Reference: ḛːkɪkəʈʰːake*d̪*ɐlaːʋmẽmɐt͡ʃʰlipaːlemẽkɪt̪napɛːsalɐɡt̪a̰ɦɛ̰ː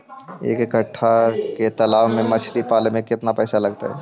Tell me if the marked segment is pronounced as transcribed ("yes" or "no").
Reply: no